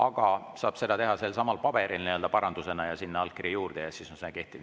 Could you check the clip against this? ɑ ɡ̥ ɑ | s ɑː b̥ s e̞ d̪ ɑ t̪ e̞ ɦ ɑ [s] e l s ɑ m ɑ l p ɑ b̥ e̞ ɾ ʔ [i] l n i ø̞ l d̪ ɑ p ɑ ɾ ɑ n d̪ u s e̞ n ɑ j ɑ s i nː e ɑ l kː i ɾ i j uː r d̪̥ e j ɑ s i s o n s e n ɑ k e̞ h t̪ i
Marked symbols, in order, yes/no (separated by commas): yes, yes